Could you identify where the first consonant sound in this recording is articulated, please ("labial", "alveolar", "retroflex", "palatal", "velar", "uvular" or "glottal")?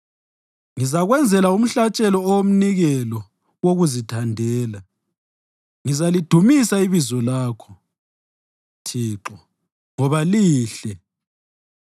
velar